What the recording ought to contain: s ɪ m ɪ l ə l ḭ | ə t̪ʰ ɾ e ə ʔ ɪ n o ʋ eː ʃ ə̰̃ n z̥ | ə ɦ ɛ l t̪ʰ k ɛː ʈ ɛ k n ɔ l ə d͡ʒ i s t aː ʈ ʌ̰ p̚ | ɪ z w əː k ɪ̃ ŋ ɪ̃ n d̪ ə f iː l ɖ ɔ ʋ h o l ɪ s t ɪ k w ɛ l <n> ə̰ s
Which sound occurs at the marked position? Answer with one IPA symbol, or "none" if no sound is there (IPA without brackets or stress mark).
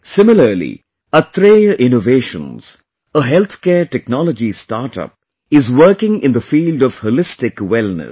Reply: n